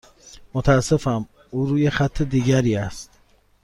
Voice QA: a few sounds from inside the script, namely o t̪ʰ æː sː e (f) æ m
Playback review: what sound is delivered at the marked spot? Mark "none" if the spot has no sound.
f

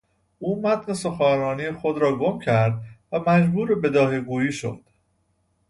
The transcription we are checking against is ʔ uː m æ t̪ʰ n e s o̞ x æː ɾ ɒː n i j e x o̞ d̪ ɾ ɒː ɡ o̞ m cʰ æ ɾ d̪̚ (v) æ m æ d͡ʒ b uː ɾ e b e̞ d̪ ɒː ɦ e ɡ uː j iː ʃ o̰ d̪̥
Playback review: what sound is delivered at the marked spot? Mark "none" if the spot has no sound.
v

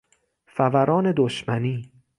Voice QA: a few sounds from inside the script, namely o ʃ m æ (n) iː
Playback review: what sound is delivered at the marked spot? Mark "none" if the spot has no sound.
n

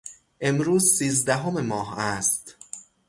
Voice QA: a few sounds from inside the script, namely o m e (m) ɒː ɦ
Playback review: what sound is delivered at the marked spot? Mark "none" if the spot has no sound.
m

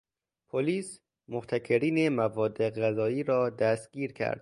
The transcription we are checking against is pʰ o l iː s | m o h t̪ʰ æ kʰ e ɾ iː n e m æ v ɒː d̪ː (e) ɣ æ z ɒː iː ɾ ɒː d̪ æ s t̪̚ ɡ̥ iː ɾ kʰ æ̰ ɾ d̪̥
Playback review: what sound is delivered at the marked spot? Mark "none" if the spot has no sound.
e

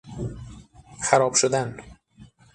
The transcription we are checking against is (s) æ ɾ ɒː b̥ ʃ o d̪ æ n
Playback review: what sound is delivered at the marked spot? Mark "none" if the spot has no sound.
x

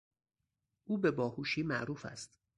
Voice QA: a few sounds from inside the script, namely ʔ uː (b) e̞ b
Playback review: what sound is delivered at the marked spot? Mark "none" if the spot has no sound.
b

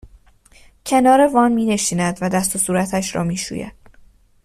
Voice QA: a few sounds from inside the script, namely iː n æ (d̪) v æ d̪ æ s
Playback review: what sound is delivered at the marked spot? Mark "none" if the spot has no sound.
d̪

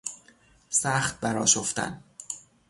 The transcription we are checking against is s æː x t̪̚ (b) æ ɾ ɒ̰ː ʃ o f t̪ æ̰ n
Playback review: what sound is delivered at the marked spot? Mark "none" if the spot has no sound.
b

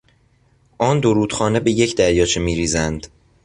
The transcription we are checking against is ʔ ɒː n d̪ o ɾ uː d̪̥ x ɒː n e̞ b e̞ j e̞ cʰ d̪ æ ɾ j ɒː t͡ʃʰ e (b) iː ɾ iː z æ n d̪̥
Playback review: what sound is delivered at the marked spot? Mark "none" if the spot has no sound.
m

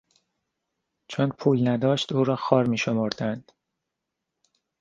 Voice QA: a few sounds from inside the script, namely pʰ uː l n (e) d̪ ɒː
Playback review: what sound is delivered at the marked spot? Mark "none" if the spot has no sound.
æ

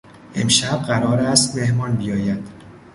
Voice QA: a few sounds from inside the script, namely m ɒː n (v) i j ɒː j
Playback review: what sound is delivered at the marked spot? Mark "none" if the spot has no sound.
b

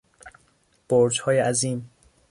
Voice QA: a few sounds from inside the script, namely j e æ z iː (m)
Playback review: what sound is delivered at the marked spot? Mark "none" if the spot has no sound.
m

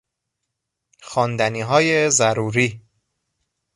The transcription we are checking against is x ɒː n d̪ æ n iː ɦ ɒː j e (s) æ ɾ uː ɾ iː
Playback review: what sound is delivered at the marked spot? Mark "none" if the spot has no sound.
z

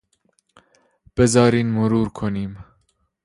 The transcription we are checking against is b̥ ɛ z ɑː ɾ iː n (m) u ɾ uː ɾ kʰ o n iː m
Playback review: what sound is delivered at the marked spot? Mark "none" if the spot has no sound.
m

